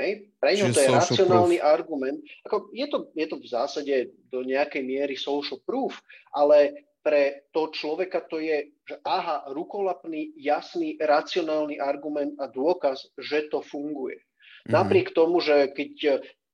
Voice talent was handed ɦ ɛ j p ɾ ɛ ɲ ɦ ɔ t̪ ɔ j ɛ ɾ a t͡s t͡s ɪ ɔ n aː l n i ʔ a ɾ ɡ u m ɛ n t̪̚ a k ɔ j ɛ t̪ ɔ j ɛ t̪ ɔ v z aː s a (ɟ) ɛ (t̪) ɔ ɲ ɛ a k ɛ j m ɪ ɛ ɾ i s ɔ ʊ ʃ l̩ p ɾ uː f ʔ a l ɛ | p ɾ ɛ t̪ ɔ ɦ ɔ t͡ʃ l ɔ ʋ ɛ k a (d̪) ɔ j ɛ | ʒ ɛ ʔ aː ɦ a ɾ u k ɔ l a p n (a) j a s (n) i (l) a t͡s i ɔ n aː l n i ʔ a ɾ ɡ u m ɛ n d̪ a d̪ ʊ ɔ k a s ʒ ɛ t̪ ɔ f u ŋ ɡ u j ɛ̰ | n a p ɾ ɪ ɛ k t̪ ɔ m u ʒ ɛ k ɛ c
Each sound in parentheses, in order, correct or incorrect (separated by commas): correct, incorrect, incorrect, incorrect, correct, incorrect